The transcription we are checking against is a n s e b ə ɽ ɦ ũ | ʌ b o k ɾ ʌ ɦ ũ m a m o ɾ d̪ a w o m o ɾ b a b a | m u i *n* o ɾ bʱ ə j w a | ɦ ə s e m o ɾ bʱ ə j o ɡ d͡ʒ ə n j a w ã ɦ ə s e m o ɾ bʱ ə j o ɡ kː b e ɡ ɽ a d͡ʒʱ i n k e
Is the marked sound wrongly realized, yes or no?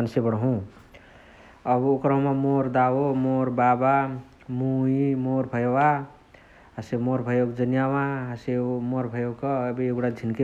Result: yes